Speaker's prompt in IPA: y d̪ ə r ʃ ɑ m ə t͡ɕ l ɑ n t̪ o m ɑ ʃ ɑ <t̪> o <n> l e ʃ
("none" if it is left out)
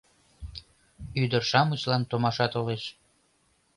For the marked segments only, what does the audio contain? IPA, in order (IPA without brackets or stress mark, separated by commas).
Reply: t̪, none